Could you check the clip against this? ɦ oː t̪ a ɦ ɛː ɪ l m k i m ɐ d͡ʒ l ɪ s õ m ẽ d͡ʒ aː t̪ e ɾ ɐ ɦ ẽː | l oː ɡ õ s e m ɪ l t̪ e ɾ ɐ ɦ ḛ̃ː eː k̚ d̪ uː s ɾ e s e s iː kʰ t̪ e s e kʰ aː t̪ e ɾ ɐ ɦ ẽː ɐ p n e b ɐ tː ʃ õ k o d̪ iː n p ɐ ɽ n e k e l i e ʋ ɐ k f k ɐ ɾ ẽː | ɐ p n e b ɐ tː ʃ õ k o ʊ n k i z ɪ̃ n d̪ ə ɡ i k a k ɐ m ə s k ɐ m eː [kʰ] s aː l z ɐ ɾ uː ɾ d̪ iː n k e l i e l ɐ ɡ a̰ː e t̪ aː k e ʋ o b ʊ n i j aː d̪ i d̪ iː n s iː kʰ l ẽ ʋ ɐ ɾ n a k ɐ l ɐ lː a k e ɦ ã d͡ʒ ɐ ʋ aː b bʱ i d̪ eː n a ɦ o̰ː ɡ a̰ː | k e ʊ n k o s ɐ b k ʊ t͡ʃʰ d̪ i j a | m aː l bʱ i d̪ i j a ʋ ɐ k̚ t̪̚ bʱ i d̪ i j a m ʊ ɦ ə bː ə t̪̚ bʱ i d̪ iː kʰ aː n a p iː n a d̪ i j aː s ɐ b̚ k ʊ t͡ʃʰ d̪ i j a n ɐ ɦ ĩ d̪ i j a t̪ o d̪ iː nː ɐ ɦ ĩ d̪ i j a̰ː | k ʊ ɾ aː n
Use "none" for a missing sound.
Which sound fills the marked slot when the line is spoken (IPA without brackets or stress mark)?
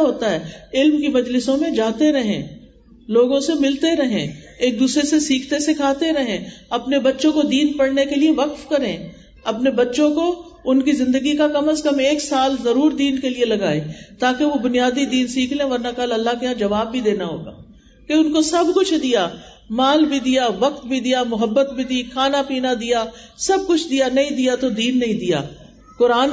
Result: k